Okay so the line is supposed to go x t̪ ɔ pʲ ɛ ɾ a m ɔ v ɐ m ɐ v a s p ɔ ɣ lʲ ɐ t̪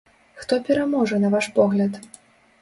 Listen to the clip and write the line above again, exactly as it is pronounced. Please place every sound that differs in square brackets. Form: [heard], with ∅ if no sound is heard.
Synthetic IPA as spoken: x t̪ ɔ pʲ ɛ ɾ a m ɔ [ʐ] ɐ [n] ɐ v a [ʂ] p ɔ ɣ lʲ ɐ t̪